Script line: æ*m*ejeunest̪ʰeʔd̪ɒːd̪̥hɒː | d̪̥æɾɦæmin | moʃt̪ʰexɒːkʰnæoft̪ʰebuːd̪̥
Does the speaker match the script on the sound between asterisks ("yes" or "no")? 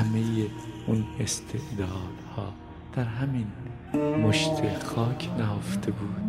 yes